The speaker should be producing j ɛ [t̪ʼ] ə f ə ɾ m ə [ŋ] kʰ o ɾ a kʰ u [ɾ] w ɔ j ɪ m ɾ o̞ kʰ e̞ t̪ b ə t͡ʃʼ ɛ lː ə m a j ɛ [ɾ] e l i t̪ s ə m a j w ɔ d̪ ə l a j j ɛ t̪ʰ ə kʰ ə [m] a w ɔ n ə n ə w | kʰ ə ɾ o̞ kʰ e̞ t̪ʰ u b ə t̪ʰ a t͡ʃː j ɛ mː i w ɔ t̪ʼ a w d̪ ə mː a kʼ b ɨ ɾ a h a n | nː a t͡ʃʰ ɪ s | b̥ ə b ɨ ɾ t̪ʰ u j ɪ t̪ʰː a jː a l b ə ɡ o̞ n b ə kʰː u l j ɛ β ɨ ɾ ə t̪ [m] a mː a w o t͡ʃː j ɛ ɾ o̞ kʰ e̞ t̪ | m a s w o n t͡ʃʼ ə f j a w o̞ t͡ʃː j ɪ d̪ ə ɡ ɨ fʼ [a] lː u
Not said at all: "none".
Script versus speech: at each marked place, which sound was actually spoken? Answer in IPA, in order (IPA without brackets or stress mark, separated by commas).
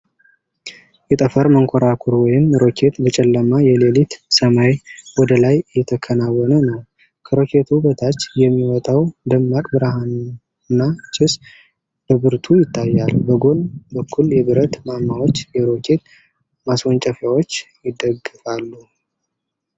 t̪ʼ, ŋ, ɾ, l, n, m, a